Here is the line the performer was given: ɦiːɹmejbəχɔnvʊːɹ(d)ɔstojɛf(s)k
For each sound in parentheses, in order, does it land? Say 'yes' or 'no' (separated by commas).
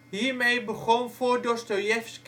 yes, yes